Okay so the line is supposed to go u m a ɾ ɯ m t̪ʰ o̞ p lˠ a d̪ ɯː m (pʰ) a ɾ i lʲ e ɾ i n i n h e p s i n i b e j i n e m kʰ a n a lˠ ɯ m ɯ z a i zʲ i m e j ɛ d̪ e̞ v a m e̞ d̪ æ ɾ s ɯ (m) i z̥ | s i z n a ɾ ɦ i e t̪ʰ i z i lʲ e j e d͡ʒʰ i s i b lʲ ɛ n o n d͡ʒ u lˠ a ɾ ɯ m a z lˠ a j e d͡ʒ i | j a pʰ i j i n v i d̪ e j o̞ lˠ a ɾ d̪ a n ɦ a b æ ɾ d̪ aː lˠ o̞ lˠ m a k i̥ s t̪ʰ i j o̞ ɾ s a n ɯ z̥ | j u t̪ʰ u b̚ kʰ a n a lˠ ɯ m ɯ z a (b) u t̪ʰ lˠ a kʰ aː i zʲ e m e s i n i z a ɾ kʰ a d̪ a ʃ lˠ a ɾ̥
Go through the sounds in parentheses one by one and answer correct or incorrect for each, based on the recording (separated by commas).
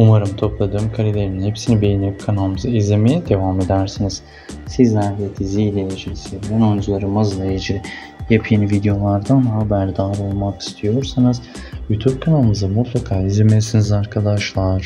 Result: incorrect, incorrect, incorrect